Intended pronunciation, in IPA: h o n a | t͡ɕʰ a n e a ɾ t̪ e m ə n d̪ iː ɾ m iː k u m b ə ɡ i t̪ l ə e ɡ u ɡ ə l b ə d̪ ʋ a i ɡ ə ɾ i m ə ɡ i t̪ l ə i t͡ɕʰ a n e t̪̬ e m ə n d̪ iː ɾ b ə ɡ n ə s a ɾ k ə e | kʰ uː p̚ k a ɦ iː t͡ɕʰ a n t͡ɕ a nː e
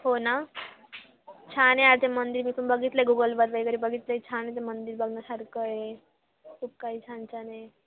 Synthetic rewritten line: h o n a | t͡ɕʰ a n e a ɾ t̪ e m ə n d̪ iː ɾ m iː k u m b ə ɡ i t̪ l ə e ɡ u ɡ ə l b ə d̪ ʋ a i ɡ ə ɾ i b ə ɡ i t̪ l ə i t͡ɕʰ a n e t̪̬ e m ə n d̪ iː ɾ b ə ɡ n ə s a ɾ k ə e | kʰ uː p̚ k a ɦ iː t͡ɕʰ a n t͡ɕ a n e